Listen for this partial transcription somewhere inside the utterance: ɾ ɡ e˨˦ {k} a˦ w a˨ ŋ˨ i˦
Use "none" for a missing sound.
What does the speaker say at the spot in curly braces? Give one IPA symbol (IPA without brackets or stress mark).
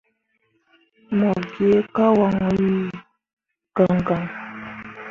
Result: k